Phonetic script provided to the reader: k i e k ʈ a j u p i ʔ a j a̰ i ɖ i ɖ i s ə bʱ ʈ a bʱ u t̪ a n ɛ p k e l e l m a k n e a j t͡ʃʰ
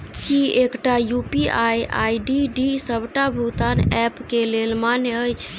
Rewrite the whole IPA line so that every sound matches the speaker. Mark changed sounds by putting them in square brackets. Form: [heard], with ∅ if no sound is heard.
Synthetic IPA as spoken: k i e k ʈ a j u p i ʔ a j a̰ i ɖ i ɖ i s ə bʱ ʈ a bʱ u t̪ a n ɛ p k e l e l m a [∅] n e [ə] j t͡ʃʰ